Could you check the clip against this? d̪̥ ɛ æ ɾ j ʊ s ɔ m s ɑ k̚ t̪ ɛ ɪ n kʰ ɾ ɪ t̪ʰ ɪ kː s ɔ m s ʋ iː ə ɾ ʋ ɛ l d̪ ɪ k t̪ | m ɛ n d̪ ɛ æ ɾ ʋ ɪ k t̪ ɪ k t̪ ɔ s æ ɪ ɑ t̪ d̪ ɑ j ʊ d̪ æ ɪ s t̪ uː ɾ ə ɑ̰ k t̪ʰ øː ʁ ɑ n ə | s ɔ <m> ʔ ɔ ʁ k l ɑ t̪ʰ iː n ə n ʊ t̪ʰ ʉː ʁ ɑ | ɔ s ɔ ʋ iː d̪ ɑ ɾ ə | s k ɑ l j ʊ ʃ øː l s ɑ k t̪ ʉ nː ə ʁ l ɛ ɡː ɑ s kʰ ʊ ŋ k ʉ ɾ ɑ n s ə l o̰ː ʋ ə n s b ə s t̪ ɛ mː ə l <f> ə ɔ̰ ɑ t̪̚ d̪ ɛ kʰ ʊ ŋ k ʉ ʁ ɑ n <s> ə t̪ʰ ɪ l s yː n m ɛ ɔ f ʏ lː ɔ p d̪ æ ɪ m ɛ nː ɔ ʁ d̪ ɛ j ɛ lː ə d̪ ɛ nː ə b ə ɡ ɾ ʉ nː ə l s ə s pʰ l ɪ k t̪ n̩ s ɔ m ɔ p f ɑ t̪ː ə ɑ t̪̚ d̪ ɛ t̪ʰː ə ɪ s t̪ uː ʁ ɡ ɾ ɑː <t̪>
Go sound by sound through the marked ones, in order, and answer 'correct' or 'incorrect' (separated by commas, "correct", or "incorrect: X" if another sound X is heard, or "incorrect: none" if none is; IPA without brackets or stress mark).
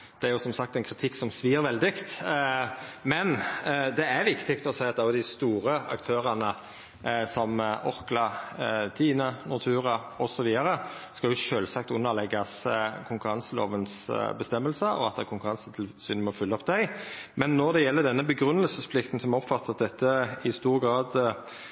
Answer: correct, incorrect: s, correct, incorrect: d̪